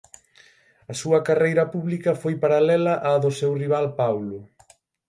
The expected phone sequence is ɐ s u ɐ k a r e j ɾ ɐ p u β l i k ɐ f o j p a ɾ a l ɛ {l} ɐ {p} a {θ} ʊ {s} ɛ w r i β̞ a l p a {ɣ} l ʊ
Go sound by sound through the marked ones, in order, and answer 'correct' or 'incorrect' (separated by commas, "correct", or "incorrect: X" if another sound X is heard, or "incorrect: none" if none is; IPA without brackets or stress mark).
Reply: correct, incorrect: ʔ, incorrect: ð, correct, incorrect: w